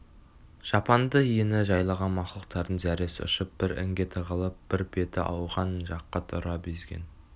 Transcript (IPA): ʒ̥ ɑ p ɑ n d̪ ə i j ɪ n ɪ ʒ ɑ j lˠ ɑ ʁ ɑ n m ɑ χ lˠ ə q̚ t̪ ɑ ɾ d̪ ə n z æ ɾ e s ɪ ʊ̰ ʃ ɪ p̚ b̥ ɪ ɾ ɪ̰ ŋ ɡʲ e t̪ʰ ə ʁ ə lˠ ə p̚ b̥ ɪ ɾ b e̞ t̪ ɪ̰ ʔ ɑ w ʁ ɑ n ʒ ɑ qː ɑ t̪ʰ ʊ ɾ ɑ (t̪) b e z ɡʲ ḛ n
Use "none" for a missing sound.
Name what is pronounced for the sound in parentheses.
none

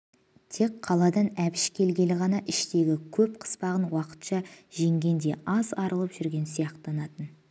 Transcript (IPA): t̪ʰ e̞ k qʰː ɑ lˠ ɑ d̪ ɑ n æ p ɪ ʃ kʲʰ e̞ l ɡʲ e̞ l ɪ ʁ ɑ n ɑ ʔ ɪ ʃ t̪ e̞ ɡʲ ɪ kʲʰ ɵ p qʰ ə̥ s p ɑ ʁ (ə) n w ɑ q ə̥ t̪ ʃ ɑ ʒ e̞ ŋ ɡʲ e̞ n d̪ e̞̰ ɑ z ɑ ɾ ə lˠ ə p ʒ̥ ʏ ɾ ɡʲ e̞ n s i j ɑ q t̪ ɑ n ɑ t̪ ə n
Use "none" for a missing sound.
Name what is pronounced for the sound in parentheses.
ə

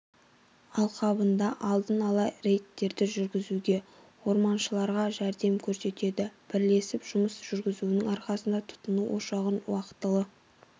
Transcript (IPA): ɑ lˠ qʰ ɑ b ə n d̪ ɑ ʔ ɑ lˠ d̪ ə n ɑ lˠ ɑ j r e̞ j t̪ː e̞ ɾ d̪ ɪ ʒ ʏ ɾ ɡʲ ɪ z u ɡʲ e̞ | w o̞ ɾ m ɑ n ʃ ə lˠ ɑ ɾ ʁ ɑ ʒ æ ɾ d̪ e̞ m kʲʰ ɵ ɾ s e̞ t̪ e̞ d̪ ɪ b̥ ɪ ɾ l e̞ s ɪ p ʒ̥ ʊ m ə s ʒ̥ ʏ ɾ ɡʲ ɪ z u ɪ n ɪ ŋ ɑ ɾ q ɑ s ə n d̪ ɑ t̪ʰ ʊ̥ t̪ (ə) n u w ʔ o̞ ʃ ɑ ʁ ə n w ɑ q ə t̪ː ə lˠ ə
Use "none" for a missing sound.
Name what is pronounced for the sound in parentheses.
ə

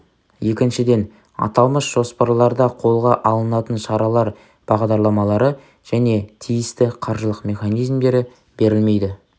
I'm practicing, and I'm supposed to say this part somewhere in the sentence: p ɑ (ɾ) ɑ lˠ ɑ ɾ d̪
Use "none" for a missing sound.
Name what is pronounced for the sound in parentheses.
ɾ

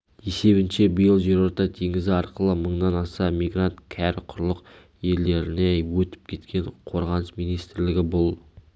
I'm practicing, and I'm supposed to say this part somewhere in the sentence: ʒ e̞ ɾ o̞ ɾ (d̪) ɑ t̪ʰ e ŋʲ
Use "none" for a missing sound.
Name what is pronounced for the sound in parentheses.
t̪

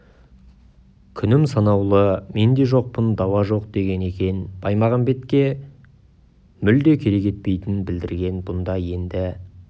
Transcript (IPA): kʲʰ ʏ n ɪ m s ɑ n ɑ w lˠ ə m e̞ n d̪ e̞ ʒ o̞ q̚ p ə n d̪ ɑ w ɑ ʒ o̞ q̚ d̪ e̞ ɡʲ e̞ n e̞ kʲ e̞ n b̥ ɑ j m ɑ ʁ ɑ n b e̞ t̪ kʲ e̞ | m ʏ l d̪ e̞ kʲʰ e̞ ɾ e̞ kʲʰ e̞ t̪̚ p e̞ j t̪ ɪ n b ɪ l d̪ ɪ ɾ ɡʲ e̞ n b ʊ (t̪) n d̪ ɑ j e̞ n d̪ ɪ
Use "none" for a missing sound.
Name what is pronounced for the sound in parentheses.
none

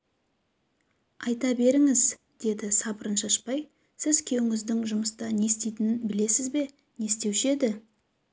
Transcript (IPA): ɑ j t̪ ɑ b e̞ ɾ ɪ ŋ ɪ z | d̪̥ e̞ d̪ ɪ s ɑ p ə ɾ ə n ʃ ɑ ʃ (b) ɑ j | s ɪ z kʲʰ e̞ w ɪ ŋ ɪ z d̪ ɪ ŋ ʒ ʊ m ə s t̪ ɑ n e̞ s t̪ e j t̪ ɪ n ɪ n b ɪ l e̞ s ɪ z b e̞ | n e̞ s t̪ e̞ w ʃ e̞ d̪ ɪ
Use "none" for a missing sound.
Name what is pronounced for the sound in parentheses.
p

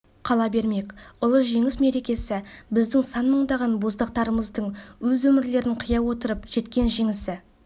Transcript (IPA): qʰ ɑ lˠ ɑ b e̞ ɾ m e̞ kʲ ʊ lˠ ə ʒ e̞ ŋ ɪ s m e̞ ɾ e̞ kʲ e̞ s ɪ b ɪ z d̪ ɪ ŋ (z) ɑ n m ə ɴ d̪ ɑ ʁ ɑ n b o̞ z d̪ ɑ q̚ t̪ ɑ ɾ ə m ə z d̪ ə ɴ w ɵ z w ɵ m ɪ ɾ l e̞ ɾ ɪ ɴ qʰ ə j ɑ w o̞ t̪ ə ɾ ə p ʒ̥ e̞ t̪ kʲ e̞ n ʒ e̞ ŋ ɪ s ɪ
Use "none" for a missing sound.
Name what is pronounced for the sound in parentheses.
s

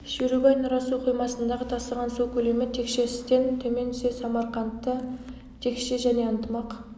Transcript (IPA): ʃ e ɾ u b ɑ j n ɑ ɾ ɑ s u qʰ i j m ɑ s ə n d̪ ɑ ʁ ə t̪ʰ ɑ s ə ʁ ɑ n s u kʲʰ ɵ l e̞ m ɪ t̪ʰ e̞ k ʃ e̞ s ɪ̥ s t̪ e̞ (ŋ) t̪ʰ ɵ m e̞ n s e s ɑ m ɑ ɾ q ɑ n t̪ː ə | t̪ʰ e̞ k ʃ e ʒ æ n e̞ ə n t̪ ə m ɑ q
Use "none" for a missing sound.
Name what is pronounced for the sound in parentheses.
n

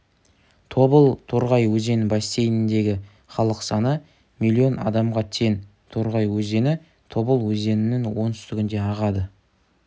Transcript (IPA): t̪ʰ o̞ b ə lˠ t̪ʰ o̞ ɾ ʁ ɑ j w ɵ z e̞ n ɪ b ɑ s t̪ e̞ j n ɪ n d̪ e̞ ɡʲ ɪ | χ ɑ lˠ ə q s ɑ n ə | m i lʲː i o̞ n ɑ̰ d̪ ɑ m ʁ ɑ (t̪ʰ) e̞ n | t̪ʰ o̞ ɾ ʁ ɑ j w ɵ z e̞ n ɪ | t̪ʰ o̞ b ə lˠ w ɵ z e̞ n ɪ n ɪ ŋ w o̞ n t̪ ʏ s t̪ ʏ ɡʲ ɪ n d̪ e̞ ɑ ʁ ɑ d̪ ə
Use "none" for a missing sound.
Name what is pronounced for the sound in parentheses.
t̪ʰ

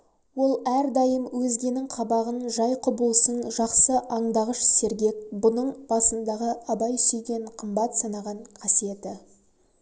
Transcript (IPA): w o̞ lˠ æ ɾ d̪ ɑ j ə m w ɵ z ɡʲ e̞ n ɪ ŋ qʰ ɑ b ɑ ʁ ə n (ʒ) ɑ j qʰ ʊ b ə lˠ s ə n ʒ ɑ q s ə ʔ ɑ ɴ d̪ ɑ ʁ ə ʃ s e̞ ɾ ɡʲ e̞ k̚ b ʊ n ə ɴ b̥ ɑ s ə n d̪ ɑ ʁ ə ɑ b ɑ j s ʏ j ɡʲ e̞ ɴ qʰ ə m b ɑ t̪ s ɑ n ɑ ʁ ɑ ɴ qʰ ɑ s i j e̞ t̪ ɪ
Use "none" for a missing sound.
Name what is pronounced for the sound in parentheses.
ʒ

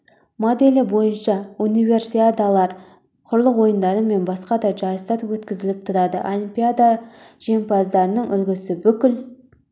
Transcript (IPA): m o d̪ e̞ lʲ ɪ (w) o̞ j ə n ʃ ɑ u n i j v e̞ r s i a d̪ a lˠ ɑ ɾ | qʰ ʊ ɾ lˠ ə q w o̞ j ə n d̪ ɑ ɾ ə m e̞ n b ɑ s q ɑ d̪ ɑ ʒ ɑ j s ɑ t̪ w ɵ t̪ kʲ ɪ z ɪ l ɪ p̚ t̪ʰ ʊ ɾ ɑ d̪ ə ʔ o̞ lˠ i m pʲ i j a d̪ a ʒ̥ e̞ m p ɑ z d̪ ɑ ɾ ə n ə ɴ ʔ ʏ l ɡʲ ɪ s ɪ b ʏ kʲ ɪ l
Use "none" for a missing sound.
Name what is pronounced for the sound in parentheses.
b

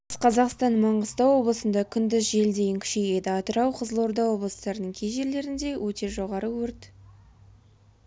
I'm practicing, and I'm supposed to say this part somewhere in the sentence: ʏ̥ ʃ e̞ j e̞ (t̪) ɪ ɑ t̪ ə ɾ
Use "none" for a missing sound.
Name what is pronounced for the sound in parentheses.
d̪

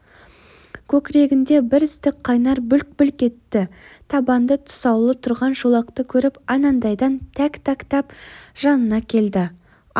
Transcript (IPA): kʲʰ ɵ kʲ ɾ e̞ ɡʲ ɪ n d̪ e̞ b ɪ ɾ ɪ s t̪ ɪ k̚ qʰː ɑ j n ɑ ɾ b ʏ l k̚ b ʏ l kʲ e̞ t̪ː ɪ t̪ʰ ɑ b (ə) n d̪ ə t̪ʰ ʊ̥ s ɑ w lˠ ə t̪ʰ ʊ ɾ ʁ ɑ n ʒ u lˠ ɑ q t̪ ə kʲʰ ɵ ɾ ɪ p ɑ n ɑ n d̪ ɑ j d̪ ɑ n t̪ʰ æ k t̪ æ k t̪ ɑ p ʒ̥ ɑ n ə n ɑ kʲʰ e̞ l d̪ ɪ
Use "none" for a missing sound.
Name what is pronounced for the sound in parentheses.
ɑ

